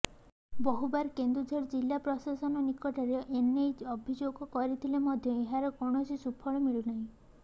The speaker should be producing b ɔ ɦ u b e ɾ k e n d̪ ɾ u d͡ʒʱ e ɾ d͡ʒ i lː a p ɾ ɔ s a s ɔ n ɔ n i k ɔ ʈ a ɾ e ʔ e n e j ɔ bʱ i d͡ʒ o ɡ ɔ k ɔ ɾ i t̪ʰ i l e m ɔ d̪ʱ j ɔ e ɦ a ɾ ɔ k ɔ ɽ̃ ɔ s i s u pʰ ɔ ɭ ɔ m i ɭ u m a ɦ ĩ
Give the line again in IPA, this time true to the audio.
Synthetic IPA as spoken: b ɔ ɦ u b a ɾ k e n d̪ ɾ u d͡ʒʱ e ɾ d͡ʒ i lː a p ɾ ɔ s a s ɔ n ɔ n i k ɔ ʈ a ɾ e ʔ e n e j ɔ bʱ i d͡ʒ o ɡ ɔ k ɔ ɾ i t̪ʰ i l e m ɔ d̪ʱ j ɔ e ɦ a ɾ ɔ k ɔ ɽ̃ ɔ s i s u pʰ ɔ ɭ ɔ m i ɭ u n a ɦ ĩ